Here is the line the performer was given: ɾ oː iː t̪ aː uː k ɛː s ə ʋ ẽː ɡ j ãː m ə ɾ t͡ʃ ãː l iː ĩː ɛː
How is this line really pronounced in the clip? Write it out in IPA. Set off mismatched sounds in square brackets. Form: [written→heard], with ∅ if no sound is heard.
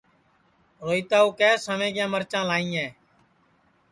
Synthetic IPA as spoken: ɾ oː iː t̪ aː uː k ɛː s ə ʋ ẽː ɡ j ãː m ə ɾ t͡ʃ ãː l [iː→aː] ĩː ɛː